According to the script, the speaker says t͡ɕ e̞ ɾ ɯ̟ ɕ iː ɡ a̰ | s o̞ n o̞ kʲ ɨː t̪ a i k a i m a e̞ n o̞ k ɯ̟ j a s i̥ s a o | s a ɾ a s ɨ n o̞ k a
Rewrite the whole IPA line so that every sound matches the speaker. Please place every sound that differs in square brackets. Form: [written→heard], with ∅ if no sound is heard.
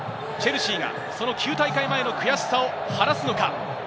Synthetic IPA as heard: t͡ɕ e̞ ɾ ɯ̟ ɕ iː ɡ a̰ | s o̞ n o̞ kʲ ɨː t̪ a i k a i m a e̞ n o̞ k ɯ̟ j a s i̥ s a o | [s→h] a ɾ a s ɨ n o̞ k a